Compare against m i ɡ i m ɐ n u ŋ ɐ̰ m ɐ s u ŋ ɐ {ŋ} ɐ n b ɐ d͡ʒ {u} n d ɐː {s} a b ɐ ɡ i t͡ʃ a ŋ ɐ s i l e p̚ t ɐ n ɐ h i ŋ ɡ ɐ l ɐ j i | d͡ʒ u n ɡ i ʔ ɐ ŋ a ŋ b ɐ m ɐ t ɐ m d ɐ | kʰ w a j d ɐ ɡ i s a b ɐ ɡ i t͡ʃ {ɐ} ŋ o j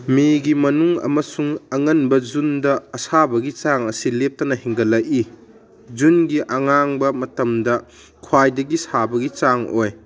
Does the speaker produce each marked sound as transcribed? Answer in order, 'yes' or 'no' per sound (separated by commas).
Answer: yes, yes, yes, no